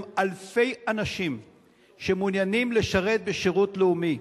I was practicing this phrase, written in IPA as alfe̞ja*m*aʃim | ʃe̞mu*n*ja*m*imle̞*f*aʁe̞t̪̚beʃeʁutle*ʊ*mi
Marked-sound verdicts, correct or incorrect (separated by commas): incorrect, correct, incorrect, incorrect, incorrect